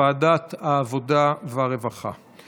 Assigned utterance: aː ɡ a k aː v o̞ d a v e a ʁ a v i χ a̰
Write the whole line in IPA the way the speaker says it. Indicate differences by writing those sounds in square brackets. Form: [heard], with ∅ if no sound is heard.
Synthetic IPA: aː [d] a [t] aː v o̞ d a v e a ʁ [e] v [a] χ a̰